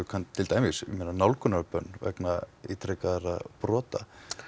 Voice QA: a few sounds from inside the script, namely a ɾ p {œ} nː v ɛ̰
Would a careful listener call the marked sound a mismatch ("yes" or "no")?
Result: no